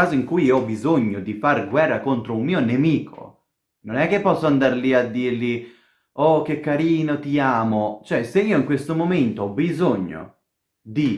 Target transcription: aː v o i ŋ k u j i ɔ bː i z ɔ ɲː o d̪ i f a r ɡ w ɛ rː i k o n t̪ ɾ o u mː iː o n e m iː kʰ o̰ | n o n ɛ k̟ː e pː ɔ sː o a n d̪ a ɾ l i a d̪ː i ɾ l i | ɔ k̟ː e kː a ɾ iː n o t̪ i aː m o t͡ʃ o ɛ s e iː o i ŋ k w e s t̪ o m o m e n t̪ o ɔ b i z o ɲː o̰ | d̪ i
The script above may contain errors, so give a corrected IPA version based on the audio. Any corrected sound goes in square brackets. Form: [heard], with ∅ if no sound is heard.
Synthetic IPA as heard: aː [z] o i ŋ k u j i ɔ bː i z [o] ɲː o d̪ i f a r ɡ w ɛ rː [a] k o n t̪ ɾ o u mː iː o n e m iː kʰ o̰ | n o n ɛ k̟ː e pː ɔ sː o a n d̪ a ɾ l i a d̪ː i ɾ l i | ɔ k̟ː e kː a ɾ iː n o t̪ i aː m o t͡ʃ o ɛ s e iː o i ŋ k w e s t̪ o m o m e n t̪ o ɔ b i z o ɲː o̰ | d̪ i